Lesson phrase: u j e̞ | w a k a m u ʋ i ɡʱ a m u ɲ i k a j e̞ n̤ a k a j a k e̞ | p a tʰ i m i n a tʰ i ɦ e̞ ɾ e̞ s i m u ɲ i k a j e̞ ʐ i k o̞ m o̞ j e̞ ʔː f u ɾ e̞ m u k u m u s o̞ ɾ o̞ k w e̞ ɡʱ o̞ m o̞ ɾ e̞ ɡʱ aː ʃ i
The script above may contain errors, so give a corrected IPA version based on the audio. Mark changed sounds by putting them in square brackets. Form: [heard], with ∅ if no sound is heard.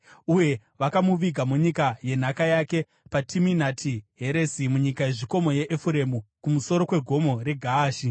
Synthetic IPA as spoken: u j e̞ | [ʋ] a k a m u ʋ i ɡʱ a m u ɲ i k a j e̞ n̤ a k a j a k e̞ | p a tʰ i m i n a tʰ i ɦ e̞ ɾ e̞ s i m u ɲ i k a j e̞ ʐ i k o̞ m o̞ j e̞ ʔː f u ɾ e̞ m u k u m u s o̞ ɾ o̞ k w e̞ ɡʱ o̞ m o̞ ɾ e̞ ɡʱ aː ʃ i